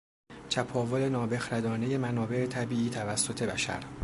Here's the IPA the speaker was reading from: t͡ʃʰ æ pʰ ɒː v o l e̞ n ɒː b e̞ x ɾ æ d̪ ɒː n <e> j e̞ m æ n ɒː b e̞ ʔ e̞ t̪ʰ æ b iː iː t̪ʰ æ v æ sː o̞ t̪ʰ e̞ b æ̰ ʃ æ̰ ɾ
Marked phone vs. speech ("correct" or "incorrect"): correct